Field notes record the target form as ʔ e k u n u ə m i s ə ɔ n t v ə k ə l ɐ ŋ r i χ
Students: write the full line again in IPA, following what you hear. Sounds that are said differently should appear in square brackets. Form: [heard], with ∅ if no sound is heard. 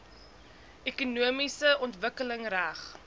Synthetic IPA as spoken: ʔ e k u n u ə m i s ə ɔ n t v ə k ə l [ə] ŋ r [æ] χ